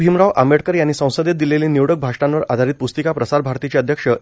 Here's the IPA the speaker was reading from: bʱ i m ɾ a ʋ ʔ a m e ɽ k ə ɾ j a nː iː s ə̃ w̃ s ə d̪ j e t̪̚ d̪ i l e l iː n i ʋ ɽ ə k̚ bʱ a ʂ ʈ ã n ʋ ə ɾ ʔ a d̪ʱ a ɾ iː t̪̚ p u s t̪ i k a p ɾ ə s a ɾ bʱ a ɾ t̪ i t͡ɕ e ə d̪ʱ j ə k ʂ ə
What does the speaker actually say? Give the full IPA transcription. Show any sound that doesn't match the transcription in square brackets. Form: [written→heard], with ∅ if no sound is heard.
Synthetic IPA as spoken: bʱ i m ɾ a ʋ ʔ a m e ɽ k ə ɾ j a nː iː s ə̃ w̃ s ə d̪ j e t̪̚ d̪ i l e l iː n i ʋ ɽ ə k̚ bʱ a ʂ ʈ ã n ʋ ə ɾ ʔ a d̪ʱ a ɾ iː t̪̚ p u s t̪ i k a p ɾ ə s a ɾ bʱ a ɾ t̪ i t͡ɕ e ə d̪ʱ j ə k ʂ ə